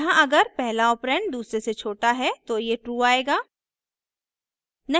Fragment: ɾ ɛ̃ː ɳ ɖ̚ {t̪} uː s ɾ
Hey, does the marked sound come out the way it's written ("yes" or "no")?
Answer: no